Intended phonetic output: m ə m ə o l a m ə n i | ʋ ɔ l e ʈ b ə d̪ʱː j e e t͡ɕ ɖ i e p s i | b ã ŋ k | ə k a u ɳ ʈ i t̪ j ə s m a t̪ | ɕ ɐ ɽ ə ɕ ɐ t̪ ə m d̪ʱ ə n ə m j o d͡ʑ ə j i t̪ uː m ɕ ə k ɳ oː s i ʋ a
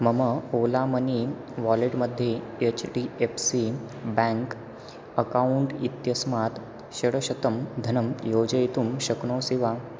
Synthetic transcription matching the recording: m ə m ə o l a m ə n i | ʋ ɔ l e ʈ m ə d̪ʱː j e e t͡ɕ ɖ i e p s i | b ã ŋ k | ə k a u ɳ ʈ i t̪ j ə s m a t̪ | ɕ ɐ ɽ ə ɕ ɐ t̪ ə m d̪ʱ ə n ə m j o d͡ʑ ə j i t̪ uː m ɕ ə k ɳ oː s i ʋ a

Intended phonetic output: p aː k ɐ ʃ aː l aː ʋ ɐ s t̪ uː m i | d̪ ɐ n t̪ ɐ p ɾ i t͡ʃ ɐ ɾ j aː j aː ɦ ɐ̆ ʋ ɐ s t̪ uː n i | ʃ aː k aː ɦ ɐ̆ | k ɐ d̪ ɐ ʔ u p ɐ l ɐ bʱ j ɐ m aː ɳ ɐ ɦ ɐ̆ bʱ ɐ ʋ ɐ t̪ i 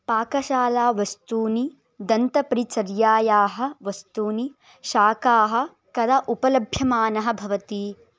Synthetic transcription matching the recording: p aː k ɐ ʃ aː l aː ʋ ɐ s t̪ uː n i | d̪ ɐ n t̪ ɐ p ɾ i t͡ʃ ɐ ɾ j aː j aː ɦ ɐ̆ ʋ ɐ s t̪ uː n i | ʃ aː k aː ɦ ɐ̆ | k ɐ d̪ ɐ ʔ u p ɐ l ɐ bʱ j ɐ m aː n ɐ ɦ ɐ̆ bʱ ɐ ʋ ɐ t̪ i

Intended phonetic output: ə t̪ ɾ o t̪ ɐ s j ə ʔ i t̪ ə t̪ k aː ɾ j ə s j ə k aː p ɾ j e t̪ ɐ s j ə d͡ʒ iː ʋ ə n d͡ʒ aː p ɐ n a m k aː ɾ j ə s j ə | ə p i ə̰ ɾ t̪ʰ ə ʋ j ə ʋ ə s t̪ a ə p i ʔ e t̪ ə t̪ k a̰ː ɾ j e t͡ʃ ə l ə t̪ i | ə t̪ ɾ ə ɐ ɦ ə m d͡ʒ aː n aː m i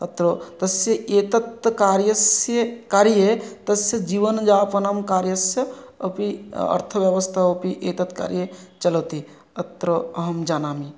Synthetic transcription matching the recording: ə t̪ ɾ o t̪ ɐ s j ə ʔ e t̪ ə t̪ k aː ɾ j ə s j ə k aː ɾ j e t̪ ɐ s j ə d͡ʒ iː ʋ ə n d͡ʒ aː p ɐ n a m k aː ɾ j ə s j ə | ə p i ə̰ ɾ t̪ʰ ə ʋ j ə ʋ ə s t̪ʰ a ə p i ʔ e t̪ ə t̪ k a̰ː ɾ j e t͡ʃ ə l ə t̪ i | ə t̪ ɾ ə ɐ ɦ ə m d͡ʒ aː n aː m i

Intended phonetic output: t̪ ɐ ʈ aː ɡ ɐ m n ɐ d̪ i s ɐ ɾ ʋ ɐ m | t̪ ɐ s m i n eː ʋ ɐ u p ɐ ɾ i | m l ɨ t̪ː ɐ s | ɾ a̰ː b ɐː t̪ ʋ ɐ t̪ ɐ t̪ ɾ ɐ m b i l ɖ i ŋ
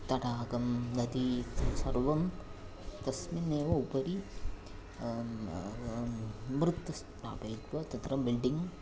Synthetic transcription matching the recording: t̪ ɐ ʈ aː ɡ ɐ m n ɐ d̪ i s ɐ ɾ ʋ ɐ m | t̪ ɐ s m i n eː ʋ ɐ u p ɐ ɾ i | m ɾ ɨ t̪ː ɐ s | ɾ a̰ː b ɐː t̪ ʋ ɐ t̪ ɐ t̪ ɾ ɐ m b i l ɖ i ŋ

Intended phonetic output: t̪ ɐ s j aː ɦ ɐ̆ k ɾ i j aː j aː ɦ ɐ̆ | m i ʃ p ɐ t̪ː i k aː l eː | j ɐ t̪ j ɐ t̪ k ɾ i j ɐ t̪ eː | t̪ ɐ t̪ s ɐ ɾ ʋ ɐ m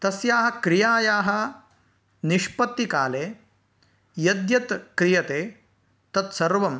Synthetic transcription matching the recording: t̪ ɐ s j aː ɦ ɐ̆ k ɾ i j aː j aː ɦ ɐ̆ | n i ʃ p ɐ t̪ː i k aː l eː | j ɐ d̪ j ɐ t̪ k ɾ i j ɐ t̪ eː | t̪ ɐ t̪ s ɐ ɾ ʋ ɐ m

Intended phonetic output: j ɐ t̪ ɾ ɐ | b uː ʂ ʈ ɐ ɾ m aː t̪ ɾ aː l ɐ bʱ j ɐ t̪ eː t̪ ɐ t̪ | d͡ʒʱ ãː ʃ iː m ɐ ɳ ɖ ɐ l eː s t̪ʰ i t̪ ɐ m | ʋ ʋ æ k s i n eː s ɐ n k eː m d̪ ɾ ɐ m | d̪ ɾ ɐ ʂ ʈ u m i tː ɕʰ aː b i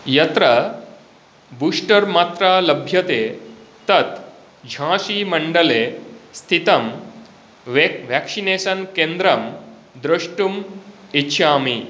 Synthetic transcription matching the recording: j ɐ t̪ ɾ ɐ | b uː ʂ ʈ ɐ ɾ m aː t̪ ɾ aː l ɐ bʱ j ɐ t̪ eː t̪ ɐ t̪ | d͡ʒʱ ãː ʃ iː m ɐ ɳ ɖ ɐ l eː s t̪ʰ i t̪ ɐ m | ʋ ʋ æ k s i n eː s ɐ n k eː n d̪ ɾ ɐ m | d̪ ɾ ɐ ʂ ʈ u m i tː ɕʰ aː m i

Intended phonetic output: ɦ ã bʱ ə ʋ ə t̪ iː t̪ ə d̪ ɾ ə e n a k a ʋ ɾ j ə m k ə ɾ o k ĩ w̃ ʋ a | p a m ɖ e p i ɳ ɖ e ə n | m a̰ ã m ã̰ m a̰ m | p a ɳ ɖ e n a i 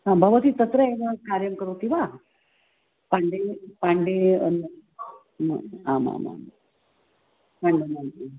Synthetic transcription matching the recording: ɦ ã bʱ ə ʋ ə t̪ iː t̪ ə t̪ ɾ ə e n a k a ɾ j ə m k ə ɾ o k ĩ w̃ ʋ a | p a ɳ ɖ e p a ɳ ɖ e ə n | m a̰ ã m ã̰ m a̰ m | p a ɳ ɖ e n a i

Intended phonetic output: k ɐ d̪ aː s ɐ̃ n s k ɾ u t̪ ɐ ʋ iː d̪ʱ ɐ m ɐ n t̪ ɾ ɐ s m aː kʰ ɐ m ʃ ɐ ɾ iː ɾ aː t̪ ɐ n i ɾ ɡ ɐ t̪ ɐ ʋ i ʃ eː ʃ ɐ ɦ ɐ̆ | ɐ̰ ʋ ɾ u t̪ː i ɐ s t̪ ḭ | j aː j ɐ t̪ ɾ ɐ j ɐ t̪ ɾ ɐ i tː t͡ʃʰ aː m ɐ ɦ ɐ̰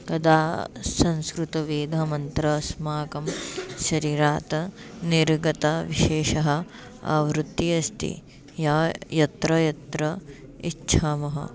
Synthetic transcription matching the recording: k ɐ d̪ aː s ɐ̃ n s k ɾ u t̪ ɐ ʋ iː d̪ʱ ɐ m ɐ n t̪ ɾ ɐ s m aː k ɐ m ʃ ɐ ɾ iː ɾ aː t̪ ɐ n i ɾ ɡ ɐ t̪ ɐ ʋ i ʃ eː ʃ ɐ ɦ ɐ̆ | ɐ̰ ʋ ɾ u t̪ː i ɐ s t̪ ḭ | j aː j ɐ t̪ ɾ ɐ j ɐ t̪ ɾ ɐ i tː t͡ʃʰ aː m ɐ ɦ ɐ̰

